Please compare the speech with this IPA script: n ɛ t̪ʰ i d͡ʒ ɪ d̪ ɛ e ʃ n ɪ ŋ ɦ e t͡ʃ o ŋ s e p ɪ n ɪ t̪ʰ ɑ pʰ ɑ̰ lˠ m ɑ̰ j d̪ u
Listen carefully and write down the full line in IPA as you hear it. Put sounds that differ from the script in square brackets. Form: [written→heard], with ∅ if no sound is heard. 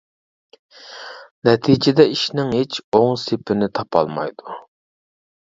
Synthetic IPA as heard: n ɛ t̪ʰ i d͡ʒ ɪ d̪ ɛ [e→i] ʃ n ɪ ŋ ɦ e t͡ʃ o ŋ s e p ɪ n ɪ t̪ʰ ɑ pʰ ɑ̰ lˠ m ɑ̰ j d̪ u